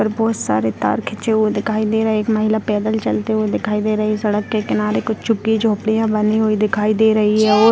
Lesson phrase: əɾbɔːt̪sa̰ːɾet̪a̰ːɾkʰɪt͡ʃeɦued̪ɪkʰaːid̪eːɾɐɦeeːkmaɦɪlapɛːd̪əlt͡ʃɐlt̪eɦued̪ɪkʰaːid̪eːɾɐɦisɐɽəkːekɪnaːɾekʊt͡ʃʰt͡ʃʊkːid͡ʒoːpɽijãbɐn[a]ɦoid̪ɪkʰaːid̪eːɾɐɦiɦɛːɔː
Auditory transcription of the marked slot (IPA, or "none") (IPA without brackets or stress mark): i